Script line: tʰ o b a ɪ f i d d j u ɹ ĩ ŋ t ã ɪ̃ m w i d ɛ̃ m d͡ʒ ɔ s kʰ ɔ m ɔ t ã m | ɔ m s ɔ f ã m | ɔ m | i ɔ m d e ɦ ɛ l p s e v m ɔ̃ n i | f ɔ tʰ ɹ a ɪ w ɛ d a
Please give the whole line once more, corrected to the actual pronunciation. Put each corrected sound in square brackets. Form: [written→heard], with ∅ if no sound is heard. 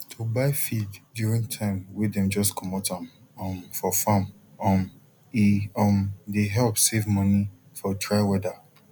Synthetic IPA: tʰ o b a ɪ f i d d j u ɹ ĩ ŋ [t→tʰ] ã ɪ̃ m w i d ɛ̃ m d͡ʒ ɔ s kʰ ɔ m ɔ t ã m | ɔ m [s→f] ɔ f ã m | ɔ m | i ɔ m d e ɦ ɛ l p s e v m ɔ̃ n i | f ɔ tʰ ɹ a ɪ w ɛ d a

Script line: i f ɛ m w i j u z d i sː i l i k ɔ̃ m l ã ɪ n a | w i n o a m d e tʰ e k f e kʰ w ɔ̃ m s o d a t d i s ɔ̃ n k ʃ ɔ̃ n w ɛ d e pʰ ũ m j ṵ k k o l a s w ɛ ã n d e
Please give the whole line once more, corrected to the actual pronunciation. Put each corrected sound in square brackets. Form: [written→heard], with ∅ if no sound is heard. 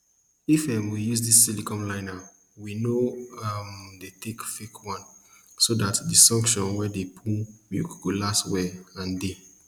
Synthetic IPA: i f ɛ m w i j u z d i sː i l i k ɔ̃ m l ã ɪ n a | w i n o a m d e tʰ e k f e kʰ w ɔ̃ [m→n] s o d a t d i s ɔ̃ [n→ŋ] k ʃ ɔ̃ n w ɛ d e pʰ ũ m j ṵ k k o l a s w ɛ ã n d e

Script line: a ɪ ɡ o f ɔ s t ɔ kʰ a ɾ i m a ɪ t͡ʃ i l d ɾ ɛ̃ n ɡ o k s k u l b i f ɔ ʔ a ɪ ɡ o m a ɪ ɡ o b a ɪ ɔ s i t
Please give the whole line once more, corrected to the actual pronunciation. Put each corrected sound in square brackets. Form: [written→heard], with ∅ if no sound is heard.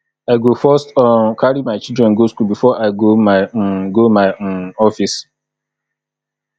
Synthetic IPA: a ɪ ɡ o f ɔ s t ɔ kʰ a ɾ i m a ɪ t͡ʃ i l d ɾ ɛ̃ n ɡ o [k→∅] s k u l b i f ɔ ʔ a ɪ ɡ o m a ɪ ɡ o [b→m] a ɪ ɔ [s→f] i [t→s]

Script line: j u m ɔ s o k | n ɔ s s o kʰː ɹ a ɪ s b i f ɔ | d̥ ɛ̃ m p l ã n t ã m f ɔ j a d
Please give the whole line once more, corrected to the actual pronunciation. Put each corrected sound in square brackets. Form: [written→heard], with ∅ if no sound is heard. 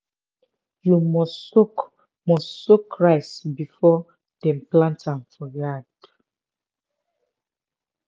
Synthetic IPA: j u m ɔ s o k | [n→m] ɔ s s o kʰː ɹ a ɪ s b i f ɔ | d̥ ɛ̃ m p l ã n t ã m f ɔ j a d

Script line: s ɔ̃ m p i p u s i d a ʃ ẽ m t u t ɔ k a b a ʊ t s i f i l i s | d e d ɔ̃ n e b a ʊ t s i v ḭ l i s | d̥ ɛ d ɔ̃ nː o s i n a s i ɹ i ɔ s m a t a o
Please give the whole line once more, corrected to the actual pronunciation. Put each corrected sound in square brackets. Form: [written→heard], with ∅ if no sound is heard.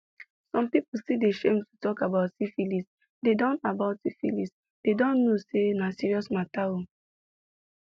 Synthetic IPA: s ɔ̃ m p i p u s i d [a→e] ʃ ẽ m t u t ɔ k a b a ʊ t s i f i l i s | d e d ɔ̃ n [e→a] b a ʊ t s i [v→f] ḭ l i s | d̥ [ɛ→e] d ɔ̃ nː o s [i→e] n a s i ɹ i ɔ s m a t a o

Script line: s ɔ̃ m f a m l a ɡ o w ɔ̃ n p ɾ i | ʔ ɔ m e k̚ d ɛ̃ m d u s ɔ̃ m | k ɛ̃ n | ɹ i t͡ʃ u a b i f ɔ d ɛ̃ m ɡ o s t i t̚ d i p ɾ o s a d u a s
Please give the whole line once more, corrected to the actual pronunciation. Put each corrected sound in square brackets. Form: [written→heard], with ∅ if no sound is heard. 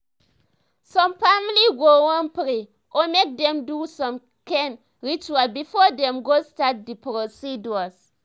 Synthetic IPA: s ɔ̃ m f a m l [a→i] ɡ o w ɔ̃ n p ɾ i | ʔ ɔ m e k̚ d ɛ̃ m d u s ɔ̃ m | k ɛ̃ n | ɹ i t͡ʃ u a b i f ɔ d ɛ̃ m ɡ o s t [i→a] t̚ d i p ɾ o s [a→i] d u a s

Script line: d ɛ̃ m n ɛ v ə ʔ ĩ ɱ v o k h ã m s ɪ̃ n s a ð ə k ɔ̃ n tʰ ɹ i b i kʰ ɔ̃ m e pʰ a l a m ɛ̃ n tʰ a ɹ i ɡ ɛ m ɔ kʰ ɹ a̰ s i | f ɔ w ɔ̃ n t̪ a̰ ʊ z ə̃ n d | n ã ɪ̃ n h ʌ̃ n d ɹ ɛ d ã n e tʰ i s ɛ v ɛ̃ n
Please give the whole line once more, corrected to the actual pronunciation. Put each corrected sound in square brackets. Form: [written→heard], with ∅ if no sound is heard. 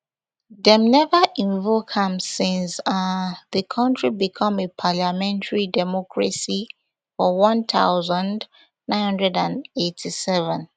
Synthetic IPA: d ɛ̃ m n ɛ v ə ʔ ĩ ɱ v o k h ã m s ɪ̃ n s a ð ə [k→kʰ] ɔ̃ n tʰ ɹ i b i kʰ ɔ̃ m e pʰ a l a m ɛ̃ n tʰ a ɹ i [ɡ→d] ɛ m ɔ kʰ ɹ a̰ s i | f ɔ w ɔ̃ n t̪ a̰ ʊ z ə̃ n d | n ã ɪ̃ n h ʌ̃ n d ɹ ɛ d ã n e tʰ i s ɛ v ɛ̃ n

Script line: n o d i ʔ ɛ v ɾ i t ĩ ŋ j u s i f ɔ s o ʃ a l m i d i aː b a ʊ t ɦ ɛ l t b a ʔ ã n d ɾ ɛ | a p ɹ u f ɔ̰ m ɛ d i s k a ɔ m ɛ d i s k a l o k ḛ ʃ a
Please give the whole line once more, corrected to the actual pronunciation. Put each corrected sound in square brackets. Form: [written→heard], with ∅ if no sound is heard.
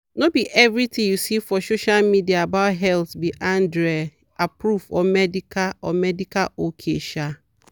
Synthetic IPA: n o [d→b] i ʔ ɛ v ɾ i t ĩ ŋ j u s i f ɔ s o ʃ a l m i d i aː b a ʊ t ɦ ɛ l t b [a→i] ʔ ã n d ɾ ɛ | a p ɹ u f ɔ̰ m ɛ d i [s→∅] k a ɔ m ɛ d i [s→∅] k a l o [k→kʰ] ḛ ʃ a

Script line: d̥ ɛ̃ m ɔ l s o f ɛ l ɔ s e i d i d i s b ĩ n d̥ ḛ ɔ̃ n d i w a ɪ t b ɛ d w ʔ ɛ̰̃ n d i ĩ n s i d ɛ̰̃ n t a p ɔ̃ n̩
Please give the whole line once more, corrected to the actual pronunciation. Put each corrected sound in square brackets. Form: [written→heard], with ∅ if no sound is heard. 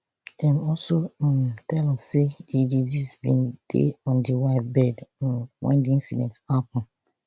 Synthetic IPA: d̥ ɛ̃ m ɔ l s o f ɛ l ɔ s e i d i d i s b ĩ n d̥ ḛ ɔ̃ n d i w a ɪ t b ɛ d w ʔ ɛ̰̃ n d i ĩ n s i d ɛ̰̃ n t a p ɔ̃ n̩

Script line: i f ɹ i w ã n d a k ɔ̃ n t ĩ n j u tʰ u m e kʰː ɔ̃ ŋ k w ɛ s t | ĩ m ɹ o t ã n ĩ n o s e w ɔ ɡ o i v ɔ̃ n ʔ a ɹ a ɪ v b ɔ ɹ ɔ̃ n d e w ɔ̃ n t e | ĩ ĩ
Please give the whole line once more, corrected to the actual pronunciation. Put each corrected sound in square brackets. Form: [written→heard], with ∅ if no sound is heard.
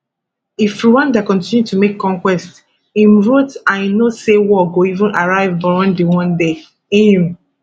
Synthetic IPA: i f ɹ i w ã n d a k ɔ̃ n t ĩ n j u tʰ u m e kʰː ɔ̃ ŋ k w ɛ s t | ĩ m ɹ o t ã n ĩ n o s e w ɔ ɡ o i v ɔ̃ n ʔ a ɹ a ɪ v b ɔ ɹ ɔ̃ n d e w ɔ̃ n [t→d] e | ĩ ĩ

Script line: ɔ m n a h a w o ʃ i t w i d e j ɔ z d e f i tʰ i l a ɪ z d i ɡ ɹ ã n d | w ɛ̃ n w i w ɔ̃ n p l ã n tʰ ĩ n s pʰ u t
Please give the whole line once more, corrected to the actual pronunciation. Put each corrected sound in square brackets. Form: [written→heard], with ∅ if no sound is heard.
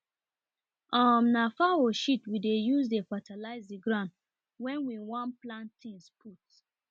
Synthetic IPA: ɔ m n a [h→f] a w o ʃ i t w i d e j [ɔ→u] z d e f [i→a] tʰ [i→a] l a ɪ z d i ɡ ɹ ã n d | w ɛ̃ n w i w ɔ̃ n p l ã n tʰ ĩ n s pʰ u t

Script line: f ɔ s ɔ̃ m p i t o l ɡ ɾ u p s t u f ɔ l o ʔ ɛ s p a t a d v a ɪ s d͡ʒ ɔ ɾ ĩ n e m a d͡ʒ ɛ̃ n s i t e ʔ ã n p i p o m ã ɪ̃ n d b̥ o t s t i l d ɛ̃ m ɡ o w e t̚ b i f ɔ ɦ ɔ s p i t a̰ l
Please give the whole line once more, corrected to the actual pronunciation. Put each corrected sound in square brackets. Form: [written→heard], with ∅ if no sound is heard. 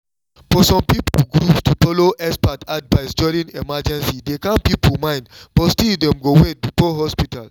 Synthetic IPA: f ɔ s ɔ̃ m p i [t→p] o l ɡ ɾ u p s t u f ɔ l o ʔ ɛ s p a t a d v a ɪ s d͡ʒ ɔ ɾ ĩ n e m a d͡ʒ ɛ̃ n s i [t→d] e [ʔ→k] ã n p i p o m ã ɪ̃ n d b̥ [o→ɔ] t s t i l d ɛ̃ m ɡ o w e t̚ b i f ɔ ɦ ɔ s p i t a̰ l

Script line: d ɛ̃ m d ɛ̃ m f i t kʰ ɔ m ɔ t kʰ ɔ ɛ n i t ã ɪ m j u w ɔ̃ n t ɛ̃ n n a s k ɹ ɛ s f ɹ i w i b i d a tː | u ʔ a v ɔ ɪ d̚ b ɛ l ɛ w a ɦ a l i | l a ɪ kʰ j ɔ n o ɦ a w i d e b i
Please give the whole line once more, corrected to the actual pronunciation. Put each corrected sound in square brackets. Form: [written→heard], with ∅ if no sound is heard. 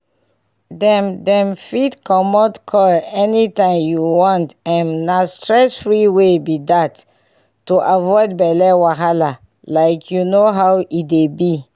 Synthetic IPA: d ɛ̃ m d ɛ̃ m f i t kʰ ɔ m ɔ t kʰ ɔ ɛ n i t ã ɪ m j u w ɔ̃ n t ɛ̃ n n a s [k→t] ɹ ɛ s f ɹ i w [i→e] b i d a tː | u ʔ a v ɔ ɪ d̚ b ɛ l ɛ w a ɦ a l [i→a] | l a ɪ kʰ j [ɔ→u] n o ɦ a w i d e b i

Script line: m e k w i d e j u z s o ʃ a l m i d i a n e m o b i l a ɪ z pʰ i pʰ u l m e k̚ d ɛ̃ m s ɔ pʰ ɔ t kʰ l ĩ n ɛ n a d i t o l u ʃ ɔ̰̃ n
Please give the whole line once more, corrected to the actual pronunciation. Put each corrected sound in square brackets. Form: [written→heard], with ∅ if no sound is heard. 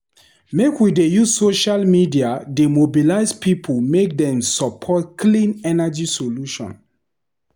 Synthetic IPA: m e k w i d e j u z s o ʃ a l m i d i a [n→d] e m o b i l a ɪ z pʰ i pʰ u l m e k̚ d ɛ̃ m s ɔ pʰ ɔ t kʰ l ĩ n ɛ n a [d→d͡ʒ] i [t→s] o l u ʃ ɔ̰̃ n

